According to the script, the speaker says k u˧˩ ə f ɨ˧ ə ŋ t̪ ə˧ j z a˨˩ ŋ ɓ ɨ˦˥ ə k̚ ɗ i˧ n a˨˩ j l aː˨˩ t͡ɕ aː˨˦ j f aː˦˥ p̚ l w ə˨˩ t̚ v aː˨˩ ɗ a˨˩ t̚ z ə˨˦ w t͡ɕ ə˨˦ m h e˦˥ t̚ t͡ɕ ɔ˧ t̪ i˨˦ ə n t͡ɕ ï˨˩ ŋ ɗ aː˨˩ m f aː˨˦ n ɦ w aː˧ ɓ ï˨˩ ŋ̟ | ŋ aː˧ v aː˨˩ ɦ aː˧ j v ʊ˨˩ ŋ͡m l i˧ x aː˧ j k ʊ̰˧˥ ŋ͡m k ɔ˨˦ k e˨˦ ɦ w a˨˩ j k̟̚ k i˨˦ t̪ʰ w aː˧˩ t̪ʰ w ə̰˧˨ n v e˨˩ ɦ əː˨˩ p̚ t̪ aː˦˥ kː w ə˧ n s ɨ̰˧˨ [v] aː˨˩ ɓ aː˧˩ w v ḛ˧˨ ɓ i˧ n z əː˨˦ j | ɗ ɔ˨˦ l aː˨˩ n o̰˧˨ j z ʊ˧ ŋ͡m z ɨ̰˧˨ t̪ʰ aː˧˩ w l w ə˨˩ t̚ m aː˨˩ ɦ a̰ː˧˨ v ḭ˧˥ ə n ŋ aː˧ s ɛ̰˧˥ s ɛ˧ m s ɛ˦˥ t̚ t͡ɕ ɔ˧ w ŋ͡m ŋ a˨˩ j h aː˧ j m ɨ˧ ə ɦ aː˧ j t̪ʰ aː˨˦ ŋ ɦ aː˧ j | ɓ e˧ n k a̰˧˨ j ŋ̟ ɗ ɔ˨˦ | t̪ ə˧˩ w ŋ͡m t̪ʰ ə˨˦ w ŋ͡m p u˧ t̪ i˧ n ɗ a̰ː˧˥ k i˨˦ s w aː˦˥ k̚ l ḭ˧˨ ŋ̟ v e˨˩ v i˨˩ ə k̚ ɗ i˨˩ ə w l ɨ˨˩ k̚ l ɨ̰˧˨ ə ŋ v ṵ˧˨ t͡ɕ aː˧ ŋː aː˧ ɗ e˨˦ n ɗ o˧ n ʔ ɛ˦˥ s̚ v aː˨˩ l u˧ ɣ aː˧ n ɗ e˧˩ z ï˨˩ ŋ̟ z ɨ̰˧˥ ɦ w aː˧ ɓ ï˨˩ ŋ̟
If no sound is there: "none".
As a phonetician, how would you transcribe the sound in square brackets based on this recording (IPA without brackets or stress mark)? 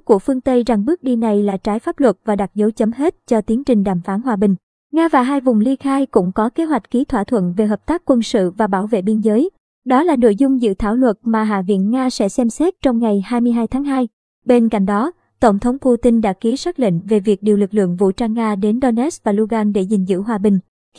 v